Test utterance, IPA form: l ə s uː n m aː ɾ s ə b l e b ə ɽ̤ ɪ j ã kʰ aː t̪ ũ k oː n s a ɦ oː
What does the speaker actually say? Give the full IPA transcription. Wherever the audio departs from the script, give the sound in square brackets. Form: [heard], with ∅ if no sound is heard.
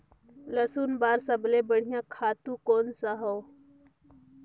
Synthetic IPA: l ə s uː n [b] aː ɾ s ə b l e b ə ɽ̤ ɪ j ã kʰ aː t̪ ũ k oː n s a ɦ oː